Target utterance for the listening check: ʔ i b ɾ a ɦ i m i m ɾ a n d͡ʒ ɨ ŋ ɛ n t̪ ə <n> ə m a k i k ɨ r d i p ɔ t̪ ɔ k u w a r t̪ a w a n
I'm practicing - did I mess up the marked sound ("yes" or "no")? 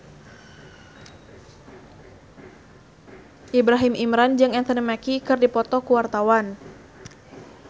no